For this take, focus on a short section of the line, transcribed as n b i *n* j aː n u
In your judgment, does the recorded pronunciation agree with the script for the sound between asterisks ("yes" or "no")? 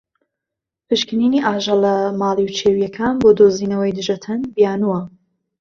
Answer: no